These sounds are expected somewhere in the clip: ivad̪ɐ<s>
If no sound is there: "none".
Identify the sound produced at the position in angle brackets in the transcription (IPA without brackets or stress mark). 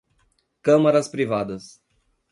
s